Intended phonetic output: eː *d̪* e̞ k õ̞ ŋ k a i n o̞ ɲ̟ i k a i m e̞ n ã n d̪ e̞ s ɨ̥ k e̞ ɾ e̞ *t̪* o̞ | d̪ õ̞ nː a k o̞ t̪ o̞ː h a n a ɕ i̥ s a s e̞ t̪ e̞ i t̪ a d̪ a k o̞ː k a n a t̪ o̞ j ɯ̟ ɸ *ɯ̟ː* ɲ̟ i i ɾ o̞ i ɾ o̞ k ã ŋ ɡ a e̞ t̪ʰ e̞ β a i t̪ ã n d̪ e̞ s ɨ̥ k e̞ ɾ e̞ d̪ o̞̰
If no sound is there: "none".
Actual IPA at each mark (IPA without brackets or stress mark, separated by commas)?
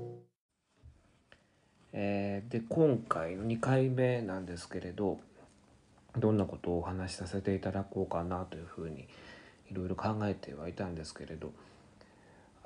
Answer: d̪, d̪, ɯ̟ː